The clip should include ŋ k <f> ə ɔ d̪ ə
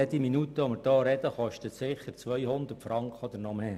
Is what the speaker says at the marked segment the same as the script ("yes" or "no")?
no